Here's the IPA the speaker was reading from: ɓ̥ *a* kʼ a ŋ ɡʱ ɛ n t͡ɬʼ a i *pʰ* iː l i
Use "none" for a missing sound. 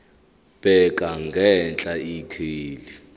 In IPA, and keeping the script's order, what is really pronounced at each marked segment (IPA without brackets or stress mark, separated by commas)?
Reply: ɛ, kʰ